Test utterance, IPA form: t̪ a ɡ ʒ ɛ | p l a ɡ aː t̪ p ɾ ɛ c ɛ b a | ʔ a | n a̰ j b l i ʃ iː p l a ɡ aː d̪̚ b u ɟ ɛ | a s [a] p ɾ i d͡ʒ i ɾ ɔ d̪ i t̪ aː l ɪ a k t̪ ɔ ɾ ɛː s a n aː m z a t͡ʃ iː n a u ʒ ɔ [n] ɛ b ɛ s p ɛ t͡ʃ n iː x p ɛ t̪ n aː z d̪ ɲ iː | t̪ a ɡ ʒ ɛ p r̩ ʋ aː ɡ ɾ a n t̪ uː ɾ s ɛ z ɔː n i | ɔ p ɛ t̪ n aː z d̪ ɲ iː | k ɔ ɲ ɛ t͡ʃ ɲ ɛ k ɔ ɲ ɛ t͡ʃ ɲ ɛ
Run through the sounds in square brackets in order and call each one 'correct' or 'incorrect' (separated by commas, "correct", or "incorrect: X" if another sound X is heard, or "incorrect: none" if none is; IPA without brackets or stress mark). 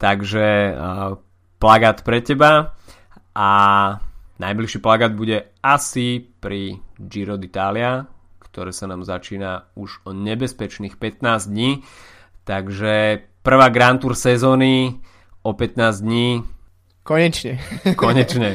incorrect: i, incorrect: ɲ